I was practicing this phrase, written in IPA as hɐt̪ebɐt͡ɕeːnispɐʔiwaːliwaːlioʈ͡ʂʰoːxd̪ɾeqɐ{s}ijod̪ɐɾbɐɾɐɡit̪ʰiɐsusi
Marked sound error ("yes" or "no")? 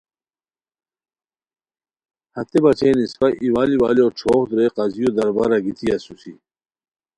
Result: yes